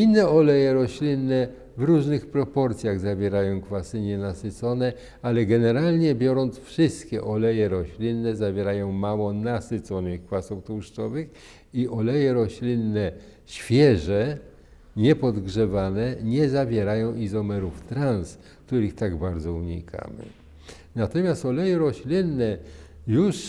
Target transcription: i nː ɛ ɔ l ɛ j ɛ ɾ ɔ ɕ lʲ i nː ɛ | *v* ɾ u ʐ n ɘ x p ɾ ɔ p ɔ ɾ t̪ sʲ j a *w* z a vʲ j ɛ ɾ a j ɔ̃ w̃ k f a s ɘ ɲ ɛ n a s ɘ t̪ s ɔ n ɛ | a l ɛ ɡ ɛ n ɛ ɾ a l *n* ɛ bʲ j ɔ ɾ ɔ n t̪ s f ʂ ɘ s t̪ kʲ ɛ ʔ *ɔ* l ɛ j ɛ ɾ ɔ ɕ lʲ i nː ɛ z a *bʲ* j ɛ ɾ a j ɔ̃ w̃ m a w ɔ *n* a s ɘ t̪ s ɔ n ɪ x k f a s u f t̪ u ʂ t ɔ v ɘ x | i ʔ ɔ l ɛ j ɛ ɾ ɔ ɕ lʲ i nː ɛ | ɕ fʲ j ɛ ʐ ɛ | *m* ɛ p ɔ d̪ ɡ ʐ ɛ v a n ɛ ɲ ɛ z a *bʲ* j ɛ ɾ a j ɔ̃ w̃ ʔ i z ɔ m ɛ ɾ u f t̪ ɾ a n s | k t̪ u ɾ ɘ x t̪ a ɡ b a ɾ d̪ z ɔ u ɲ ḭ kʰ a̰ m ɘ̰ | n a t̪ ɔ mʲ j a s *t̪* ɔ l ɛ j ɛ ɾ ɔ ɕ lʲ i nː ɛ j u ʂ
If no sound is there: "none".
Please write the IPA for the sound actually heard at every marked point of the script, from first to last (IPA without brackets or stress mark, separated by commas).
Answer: v, ɣ, ɲ, ɔ, vʲ, n, ɲ, vʲ, t̪